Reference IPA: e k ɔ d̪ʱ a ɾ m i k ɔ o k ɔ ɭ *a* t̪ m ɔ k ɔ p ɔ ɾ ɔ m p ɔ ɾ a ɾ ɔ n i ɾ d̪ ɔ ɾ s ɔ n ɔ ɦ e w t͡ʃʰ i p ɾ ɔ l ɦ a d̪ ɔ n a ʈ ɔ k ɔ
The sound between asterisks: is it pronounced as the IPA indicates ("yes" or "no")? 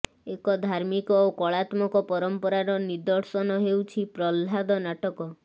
yes